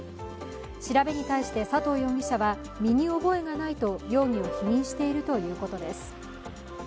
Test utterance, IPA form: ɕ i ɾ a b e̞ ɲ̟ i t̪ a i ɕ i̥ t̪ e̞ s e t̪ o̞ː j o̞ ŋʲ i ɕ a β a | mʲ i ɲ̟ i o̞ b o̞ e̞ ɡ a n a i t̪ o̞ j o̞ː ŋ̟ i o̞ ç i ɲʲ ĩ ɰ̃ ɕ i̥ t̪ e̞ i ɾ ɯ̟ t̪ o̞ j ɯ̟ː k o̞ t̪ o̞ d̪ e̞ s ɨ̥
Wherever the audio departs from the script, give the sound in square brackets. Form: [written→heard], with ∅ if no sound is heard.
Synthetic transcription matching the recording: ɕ i ɾ a b e̞ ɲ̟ i t̪ a i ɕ i̥ t̪ e̞ s [e→a] t̪ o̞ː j o̞ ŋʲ i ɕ a β a | mʲ i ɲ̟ i o̞ b o̞ e̞ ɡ a n a i t̪ o̞ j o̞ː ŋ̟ i o̞ ç i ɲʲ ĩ ɰ̃ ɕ i̥ t̪ e̞ i ɾ ɯ̟ t̪ o̞ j ɯ̟ː k o̞ t̪ o̞ d̪ e̞ s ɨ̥